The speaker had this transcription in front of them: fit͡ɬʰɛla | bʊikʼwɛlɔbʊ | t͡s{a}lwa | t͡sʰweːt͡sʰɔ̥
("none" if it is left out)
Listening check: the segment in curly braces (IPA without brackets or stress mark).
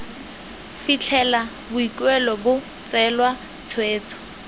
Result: ɛ